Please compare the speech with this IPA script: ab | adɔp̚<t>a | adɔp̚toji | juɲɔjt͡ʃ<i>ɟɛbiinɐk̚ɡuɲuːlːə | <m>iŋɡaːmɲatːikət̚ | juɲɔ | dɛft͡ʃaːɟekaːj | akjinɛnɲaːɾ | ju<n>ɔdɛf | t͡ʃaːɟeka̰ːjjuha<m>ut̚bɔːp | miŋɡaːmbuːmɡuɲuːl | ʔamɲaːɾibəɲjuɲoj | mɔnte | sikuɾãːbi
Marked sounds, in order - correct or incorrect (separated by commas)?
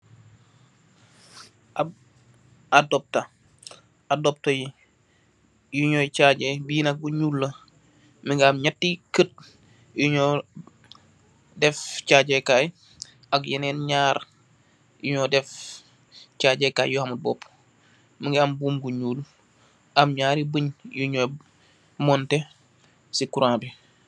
correct, incorrect, correct, incorrect, correct